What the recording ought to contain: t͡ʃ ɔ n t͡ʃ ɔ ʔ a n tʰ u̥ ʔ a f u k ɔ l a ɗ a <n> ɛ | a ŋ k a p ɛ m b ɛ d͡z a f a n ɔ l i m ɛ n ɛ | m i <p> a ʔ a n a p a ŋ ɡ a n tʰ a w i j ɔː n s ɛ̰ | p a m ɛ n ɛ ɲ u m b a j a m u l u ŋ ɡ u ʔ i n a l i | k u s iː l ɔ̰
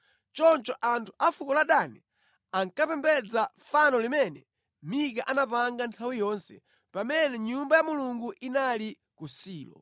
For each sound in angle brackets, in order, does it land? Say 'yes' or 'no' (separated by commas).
yes, no